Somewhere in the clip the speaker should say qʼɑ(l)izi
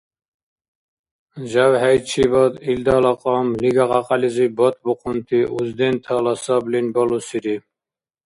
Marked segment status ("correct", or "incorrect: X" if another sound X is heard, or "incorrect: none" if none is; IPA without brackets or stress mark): correct